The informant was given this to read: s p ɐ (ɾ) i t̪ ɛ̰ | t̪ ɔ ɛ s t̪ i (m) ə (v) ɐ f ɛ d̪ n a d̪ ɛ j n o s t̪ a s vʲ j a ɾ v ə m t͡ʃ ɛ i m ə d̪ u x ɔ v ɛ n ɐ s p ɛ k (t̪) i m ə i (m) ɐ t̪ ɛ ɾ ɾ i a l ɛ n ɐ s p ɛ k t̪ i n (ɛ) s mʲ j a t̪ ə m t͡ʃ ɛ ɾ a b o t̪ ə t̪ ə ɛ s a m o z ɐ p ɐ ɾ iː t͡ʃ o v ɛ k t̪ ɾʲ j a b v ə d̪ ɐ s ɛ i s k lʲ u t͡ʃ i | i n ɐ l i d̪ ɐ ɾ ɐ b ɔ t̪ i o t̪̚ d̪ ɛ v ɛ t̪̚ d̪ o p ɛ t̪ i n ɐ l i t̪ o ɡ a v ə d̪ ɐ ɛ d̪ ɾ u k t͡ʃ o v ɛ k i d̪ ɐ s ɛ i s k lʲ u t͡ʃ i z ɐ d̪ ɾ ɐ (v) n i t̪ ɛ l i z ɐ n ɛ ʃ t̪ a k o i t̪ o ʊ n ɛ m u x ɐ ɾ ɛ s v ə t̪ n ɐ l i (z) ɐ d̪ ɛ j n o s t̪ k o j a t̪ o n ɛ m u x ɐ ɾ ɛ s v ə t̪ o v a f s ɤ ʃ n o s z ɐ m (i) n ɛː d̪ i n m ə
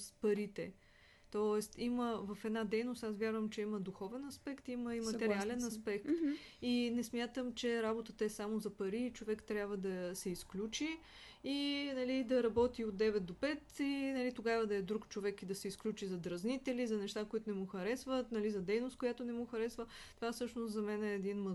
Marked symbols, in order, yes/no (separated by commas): yes, yes, yes, yes, yes, yes, no, yes, no